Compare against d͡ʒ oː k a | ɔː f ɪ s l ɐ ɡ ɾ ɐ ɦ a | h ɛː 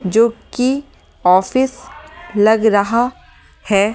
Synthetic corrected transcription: d͡ʒ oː k i | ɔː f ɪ s l ɐ ɡ ɾ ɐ ɦ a | h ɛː